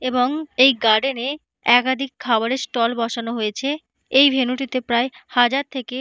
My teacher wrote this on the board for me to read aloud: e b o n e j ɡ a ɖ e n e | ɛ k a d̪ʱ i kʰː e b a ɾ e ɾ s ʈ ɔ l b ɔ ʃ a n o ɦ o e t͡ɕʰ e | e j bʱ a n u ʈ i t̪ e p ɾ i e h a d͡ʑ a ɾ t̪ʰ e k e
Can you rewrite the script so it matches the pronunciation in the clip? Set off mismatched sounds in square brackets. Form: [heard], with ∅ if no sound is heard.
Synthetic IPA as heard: e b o [ŋ] e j ɡ a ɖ e n e | ɛ k a d̪ʱ i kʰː [a] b a ɾ e ɾ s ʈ ɔ l b ɔ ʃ a n o ɦ o e t͡ɕʰ e | e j bʱ [e] n u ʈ i t̪ e p ɾ [a] e h a d͡ʑ a ɾ t̪ʰ e k e